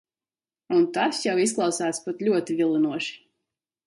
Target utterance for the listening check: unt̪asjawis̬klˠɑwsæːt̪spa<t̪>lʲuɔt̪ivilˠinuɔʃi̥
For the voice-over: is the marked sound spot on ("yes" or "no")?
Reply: yes